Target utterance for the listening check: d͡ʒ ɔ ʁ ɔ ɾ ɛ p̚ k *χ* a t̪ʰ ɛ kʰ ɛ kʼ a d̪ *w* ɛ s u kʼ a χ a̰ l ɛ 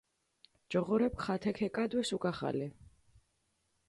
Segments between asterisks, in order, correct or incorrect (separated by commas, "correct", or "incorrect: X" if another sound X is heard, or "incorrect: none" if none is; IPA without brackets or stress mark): correct, correct